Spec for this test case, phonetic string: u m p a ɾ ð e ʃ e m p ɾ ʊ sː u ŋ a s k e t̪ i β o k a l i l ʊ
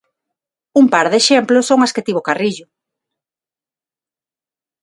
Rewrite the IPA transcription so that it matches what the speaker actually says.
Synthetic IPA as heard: u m p a ɾ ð e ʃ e m p l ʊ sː o ŋ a s k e t̪ i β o k a r i ʎ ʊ